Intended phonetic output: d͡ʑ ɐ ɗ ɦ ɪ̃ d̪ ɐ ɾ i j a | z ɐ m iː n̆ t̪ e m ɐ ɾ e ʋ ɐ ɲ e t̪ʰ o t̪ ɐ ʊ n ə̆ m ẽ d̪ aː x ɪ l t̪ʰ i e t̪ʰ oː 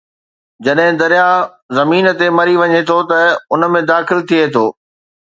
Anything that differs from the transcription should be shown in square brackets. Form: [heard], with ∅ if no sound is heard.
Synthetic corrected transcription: d͡ʑ ɐ ɗ ɦ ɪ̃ d̪ ɐ ɾ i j a | z ɐ m iː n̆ t̪ e m ɐ ɾ [i] ʋ ɐ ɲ e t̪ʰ o t̪ ɐ ʊ n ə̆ m ẽ d̪ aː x ɪ l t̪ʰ i e t̪ʰ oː